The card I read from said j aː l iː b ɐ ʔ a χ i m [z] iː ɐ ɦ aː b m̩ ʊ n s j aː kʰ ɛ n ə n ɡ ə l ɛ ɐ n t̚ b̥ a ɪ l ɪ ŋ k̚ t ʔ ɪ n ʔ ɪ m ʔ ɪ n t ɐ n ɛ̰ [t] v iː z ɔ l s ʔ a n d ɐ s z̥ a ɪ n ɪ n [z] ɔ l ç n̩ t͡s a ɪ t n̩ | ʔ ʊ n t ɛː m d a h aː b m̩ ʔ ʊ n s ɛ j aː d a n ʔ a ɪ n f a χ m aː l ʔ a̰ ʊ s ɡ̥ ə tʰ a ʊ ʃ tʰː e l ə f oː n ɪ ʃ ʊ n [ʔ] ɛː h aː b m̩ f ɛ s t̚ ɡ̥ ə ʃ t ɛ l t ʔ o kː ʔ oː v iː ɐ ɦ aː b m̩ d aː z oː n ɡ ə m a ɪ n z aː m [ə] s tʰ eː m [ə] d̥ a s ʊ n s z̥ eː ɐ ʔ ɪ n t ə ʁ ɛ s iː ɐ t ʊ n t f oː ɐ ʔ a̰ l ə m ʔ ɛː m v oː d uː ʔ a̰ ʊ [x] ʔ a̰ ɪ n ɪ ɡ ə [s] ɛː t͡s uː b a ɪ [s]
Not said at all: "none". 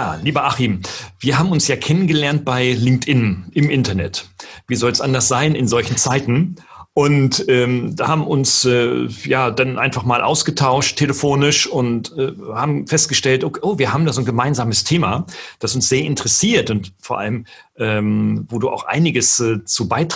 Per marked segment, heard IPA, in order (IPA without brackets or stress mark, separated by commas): v, t, z, t, ə, a, x, s, t